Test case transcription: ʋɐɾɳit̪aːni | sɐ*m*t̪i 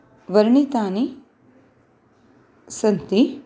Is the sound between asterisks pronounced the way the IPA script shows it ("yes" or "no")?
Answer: no